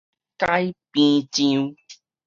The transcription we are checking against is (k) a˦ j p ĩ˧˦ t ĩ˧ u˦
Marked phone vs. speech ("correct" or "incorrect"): correct